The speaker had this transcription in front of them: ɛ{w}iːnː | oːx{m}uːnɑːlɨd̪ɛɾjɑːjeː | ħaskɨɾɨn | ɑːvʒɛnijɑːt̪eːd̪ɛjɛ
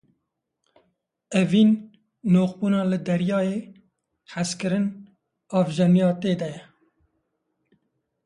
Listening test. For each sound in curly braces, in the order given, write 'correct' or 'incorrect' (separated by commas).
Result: incorrect, incorrect